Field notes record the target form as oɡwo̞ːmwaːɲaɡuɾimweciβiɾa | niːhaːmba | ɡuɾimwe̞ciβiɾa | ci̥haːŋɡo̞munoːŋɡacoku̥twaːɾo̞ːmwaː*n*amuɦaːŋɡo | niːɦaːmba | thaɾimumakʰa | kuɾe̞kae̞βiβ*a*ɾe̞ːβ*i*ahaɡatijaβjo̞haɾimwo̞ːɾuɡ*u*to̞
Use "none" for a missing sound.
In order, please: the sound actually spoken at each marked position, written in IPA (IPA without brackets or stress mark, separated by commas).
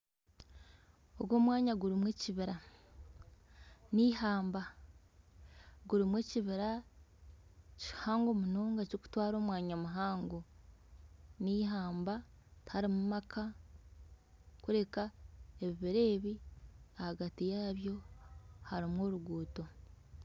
ɲ, i, i, uː